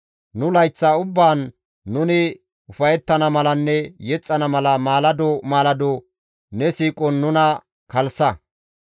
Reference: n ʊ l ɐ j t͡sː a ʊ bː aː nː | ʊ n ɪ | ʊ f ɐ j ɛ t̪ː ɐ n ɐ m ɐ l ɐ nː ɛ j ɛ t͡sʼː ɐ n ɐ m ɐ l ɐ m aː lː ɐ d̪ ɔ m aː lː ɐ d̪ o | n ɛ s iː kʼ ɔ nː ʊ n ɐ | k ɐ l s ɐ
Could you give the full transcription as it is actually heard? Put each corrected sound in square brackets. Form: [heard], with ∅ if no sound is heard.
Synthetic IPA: n ʊ l ɐ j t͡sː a ʊ bː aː nː | ʊ n ɪ | ʊ f ɐ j ɛ t̪ː ɐ n ɐ m ɐ l ɐ nː ɛ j ɛ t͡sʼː ɐ n ɐ m ɐ l ɐ m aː [l] ɐ d̪ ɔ m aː [l] ɐ d̪ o | n ɛ s iː kʼ ɔ nː ʊ n ɐ | k ɐ l s ɐ